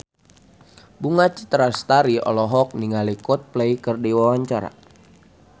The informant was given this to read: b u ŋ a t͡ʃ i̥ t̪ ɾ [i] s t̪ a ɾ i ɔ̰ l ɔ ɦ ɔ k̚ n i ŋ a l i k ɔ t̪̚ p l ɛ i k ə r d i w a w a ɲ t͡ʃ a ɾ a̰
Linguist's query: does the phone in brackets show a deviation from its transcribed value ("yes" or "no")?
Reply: yes